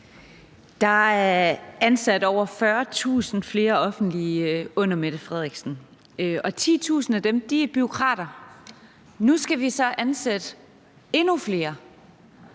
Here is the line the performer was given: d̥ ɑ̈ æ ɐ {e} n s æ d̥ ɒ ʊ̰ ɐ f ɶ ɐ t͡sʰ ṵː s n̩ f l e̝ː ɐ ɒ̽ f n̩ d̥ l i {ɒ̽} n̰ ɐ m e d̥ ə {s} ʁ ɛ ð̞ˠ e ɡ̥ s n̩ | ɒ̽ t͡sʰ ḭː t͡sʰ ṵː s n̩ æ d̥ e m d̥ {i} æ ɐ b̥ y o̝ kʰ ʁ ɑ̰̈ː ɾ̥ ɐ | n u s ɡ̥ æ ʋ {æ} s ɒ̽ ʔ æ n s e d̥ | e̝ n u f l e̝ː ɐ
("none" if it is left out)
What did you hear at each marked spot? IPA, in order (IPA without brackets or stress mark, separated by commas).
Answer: æ, ɔ̽, f, i, i